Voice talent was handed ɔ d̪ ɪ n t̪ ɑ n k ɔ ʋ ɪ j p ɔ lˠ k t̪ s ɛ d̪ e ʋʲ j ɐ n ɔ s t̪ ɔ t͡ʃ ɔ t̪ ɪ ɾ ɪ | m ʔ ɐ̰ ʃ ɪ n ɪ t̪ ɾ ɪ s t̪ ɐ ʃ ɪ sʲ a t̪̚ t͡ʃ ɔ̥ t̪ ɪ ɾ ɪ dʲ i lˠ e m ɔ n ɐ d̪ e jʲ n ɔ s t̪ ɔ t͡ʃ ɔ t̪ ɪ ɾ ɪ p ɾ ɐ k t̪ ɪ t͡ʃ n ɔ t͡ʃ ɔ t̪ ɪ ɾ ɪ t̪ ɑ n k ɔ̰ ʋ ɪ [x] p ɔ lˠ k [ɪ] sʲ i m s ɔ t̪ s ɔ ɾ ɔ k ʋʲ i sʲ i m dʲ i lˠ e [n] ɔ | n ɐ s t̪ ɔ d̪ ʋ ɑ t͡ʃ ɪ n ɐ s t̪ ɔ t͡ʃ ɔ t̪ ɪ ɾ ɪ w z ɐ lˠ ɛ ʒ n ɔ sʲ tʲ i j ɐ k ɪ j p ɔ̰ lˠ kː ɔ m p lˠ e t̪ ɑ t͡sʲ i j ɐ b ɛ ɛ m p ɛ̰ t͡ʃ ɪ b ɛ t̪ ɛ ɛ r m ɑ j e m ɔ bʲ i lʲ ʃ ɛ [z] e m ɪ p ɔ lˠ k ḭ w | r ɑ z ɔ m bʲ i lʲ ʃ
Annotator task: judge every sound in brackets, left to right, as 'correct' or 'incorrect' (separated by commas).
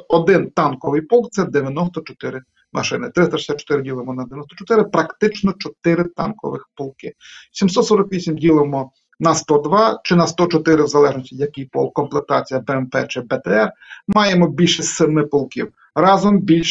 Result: correct, correct, incorrect, incorrect